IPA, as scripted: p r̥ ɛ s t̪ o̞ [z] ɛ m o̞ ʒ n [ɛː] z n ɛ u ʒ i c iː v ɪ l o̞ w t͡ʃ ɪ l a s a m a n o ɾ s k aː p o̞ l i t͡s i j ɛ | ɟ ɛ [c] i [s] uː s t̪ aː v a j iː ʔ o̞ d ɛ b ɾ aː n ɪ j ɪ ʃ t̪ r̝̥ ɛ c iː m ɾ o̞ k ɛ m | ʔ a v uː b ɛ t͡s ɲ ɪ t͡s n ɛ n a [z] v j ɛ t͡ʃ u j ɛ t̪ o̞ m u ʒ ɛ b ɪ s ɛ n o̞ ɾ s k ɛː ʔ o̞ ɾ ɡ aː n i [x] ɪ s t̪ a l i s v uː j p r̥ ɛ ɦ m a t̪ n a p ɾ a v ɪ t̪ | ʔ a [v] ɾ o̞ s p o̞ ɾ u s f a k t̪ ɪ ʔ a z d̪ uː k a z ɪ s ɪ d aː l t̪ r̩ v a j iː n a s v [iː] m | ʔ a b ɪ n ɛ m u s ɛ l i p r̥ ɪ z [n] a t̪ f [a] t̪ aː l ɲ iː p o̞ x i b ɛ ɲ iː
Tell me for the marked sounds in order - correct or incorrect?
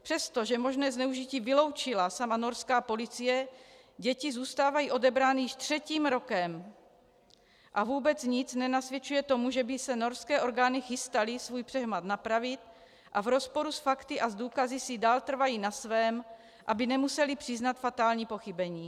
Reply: incorrect, correct, correct, incorrect, incorrect, correct, correct, incorrect, correct, correct

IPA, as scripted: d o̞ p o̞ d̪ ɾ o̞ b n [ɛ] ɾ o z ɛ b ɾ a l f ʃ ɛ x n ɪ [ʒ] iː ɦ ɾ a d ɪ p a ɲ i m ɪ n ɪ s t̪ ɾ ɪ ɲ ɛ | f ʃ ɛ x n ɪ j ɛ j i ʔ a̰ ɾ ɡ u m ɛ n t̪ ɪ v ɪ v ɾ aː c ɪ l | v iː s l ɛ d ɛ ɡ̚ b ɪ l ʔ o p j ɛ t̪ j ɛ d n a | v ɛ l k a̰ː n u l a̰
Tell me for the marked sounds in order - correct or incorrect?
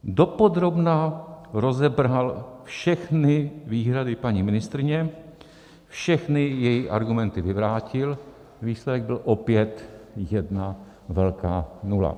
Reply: incorrect, incorrect

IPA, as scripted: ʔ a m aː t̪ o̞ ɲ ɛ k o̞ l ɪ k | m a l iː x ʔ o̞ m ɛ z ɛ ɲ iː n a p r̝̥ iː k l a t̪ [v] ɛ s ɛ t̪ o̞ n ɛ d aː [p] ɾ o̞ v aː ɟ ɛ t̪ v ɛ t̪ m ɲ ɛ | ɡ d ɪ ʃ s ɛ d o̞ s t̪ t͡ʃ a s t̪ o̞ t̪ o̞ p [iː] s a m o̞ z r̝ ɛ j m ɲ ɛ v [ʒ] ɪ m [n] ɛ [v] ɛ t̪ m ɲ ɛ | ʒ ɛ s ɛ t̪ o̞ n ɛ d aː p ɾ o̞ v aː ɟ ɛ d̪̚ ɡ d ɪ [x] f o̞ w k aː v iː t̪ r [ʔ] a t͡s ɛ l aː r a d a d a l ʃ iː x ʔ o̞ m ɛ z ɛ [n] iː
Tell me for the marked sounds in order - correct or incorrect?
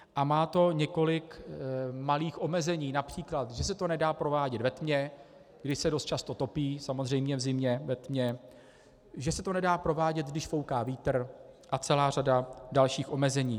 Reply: incorrect, correct, correct, incorrect, incorrect, correct, incorrect, correct, incorrect

